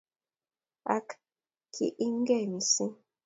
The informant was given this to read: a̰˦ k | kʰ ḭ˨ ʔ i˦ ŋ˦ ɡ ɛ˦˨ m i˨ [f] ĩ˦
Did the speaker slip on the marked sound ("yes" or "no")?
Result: yes